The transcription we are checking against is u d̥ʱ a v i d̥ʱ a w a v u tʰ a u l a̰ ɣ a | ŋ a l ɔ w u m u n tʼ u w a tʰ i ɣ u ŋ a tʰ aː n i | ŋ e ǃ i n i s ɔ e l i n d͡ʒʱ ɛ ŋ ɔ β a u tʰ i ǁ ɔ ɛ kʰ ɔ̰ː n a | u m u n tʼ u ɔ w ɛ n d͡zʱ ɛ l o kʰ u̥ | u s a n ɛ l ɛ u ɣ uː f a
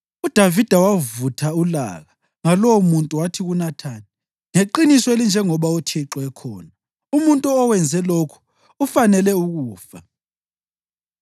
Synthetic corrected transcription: u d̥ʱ a v i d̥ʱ a w a v u tʰ a u l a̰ ɣ a | ŋ a l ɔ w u m u n tʼ u w a tʰ i ɣ u n a tʰ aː n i | ŋ e ǃ i n i s ɔ e l i n d͡ʒʱ ɛ ŋ ɔ β a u tʰ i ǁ ɔ ɛ kʰ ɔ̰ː n a | u m u n tʼ u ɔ w ɛ n d͡zʱ ɛ l o kʰ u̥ | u f a n ɛ l ɛ u ɣ uː f a